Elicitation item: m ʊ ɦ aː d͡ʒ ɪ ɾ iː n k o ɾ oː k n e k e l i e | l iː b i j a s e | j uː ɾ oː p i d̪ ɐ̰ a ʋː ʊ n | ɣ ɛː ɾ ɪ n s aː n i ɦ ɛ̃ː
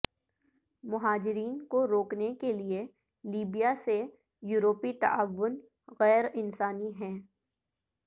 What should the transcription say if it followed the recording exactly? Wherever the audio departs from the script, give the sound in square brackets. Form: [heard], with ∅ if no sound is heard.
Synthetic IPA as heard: m ʊ ɦ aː d͡ʒ ɪ ɾ iː n k o ɾ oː k n e k e l i e | l iː b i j a s e | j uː ɾ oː p i [t̪] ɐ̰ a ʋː ʊ n | ɣ ɛː ɾ ɪ n s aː n i ɦ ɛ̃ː